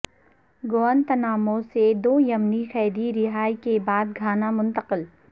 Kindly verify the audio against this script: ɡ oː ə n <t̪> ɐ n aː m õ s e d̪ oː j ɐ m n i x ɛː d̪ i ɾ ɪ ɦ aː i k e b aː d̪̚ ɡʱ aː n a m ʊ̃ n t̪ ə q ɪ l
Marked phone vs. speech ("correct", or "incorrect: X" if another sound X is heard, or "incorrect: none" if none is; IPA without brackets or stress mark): correct